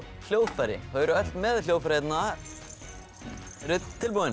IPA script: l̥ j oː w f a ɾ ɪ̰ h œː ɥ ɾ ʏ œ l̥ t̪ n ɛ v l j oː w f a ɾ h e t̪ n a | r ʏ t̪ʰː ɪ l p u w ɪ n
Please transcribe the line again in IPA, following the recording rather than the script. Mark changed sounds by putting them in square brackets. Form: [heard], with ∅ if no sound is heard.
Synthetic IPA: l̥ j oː w f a ɾ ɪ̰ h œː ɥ ɾ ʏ œ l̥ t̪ [m] ɛ [ð] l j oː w f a ɾ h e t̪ n a | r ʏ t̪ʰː ɪ l p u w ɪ n